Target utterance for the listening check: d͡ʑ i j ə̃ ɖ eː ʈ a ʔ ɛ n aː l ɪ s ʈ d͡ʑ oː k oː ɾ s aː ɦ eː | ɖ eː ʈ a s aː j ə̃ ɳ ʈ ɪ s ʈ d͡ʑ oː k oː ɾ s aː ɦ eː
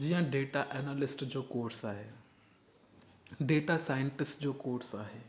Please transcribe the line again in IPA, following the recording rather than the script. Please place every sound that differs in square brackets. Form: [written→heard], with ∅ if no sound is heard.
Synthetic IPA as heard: d͡ʑ i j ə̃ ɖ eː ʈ a ʔ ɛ n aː l ɪ s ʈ d͡ʑ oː k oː ɾ s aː ɦ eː | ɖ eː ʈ a s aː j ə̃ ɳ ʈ ɪ s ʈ d͡ʑ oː k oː ɾ s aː ɦ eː